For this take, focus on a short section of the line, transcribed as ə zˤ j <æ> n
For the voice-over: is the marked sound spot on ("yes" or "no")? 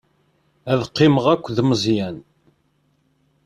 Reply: yes